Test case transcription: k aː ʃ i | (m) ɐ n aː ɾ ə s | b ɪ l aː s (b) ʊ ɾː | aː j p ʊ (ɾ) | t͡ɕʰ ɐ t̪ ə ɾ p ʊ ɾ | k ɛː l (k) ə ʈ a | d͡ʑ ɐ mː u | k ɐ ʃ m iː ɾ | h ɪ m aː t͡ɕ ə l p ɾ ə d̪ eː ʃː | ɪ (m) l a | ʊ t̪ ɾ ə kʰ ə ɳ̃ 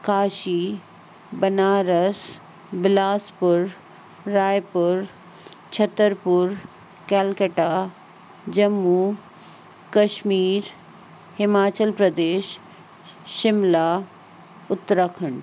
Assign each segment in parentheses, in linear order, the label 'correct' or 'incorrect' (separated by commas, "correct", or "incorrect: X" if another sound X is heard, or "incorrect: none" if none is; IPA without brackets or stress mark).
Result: incorrect: b, incorrect: p, correct, correct, correct